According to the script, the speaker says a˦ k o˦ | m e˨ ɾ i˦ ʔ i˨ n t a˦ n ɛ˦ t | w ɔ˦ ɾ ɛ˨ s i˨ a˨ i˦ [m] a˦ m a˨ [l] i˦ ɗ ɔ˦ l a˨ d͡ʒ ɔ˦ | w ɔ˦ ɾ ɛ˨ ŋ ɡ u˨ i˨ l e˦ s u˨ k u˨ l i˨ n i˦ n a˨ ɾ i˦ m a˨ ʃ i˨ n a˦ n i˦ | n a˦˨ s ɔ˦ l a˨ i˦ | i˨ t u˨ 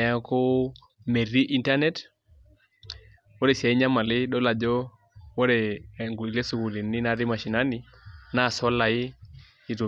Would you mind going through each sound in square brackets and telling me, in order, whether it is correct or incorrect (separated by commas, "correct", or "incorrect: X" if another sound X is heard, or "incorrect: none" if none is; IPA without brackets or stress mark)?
incorrect: ɲ, correct